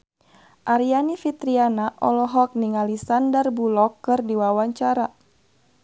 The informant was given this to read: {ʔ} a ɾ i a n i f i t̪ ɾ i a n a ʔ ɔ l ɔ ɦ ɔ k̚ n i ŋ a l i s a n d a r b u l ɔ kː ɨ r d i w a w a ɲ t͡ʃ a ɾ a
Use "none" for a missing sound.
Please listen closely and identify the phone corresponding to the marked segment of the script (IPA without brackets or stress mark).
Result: ʔ